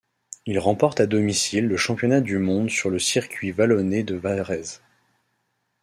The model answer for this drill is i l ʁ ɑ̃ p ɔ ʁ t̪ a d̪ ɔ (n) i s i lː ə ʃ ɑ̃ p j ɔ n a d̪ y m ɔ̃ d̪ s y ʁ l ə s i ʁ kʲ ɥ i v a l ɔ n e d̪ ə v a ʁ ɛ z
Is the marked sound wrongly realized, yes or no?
yes